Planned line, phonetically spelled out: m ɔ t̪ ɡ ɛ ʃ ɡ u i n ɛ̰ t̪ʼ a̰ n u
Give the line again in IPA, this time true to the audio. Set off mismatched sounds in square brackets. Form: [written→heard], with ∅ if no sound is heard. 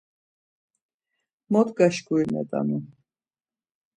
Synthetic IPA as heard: m ɔ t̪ ɡ [ɛ→a] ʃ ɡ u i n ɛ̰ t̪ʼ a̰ n u